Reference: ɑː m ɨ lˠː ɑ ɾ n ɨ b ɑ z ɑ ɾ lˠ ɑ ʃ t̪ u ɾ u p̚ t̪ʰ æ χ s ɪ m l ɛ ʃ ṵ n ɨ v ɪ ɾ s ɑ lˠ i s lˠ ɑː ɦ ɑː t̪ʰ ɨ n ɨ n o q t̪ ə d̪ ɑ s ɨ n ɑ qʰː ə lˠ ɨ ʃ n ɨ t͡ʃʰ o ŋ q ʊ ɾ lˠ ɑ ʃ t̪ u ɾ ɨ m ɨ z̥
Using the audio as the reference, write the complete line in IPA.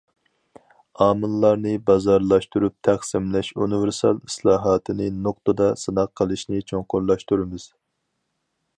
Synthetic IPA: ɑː m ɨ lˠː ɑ ɾ n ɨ b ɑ z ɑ ɾ lˠ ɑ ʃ t̪ u ɾ u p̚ t̪ʰ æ χ s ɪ m l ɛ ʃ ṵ n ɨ v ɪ ɾ s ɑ lˠ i s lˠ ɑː ɦ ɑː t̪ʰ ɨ n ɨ n o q t̪ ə d̪ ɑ s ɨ n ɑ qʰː ə lˠ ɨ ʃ n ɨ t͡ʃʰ o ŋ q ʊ ɾ lˠ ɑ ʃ t̪ u ɾ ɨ m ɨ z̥